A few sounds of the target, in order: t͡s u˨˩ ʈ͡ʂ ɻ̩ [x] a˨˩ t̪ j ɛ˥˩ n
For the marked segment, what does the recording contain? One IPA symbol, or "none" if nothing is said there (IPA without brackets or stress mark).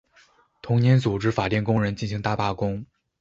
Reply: f